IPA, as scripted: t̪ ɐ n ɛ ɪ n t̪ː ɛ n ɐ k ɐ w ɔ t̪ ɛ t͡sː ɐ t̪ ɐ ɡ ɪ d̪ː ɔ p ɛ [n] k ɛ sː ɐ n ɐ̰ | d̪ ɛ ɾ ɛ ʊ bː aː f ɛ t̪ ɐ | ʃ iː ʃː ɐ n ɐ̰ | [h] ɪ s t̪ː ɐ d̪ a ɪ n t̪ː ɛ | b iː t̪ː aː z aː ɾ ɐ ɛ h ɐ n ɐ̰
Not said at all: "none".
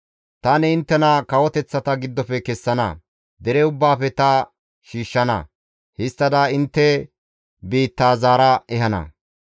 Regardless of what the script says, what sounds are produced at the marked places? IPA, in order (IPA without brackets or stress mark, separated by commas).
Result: none, h